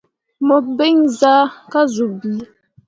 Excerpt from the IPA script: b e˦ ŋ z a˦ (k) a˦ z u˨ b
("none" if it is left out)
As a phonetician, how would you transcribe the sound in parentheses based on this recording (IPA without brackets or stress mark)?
k